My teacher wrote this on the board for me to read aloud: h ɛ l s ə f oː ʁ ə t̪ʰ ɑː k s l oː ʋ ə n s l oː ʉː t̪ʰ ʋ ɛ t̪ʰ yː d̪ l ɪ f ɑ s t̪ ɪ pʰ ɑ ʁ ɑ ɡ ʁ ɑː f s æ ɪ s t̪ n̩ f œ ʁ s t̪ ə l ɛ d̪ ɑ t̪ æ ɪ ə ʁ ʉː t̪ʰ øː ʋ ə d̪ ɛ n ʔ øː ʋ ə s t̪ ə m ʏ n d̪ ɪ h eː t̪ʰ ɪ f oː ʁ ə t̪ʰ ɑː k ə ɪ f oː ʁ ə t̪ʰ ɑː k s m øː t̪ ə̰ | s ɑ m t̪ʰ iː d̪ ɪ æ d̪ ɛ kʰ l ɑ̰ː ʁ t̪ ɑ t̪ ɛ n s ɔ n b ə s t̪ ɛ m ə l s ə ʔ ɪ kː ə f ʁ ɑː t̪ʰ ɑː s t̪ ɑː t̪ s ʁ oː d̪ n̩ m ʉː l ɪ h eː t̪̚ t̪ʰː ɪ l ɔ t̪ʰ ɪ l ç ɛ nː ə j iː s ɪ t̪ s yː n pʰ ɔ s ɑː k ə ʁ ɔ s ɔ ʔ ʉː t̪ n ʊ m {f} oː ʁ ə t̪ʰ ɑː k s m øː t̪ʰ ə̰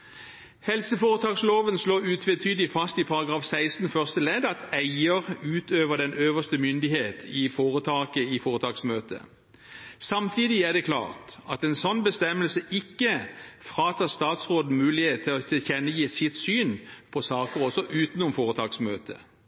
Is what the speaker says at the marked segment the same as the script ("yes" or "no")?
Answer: yes